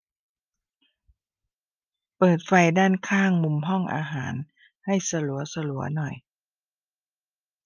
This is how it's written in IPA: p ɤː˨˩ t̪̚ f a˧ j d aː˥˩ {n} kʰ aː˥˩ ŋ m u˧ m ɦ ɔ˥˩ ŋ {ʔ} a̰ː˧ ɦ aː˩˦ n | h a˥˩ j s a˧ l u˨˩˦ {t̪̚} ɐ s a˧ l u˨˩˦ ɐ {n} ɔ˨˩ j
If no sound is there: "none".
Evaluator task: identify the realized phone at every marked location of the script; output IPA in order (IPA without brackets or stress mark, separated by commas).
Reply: n, ʔ, none, n